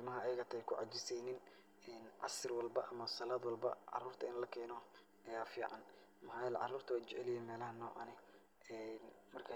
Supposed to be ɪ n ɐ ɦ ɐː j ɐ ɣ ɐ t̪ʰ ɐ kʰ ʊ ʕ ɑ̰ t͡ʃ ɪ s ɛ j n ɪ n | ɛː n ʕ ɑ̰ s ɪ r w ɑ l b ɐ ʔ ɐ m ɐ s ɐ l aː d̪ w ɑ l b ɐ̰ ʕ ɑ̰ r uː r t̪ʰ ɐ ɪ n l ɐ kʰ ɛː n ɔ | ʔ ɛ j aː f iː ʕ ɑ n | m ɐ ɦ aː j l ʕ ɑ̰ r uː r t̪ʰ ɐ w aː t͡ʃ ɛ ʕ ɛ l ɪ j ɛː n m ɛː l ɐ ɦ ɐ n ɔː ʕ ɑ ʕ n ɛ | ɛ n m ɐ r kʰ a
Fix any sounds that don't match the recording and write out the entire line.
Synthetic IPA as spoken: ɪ m ɐ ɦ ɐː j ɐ ɣ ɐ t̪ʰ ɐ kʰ ʊ ʕ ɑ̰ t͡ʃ ɪ s ɛ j n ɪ n | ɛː n ʕ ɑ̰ s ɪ r w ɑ l b ɐ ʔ ɐ m ɐ s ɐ l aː d̪ w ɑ l b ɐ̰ ʕ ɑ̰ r uː r t̪ʰ ɐ ɪ n l ɐ kʰ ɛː n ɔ | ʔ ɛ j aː f iː ʕ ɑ n | m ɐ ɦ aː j l ʕ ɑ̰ r uː r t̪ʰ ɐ w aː t͡ʃ ɛ ʕ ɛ l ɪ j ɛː n m ɛː l ɐ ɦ ɐ n ɔː ʕ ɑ n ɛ | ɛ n m ɐ r kʰ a

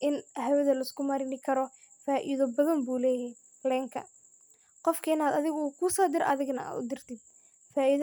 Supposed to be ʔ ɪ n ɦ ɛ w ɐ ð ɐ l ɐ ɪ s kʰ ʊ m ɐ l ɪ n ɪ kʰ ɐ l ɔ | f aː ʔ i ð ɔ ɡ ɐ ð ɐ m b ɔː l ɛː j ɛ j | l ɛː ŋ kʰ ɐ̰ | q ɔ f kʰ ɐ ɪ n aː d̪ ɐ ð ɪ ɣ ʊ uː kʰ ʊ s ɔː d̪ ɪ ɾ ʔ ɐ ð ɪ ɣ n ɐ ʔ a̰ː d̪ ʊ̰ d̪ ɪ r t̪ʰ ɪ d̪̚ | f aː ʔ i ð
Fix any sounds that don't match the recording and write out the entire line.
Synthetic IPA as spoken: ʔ ɪ n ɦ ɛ w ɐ ð ɐ l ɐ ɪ s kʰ ʊ m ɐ ɾ ɪ n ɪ kʰ ɐ ɾ ɔ | f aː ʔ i ð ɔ b ɐ ð ɐ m b uː l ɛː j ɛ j | l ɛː ŋ kʰ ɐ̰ | q ɔ f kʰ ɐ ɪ n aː d̪ ɐ ð ɪ ɣ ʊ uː kʰ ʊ s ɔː d̪ ɪ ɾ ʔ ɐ ð ɪ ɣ n ɐ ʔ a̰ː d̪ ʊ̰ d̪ ɪ r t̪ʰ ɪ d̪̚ | f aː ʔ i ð

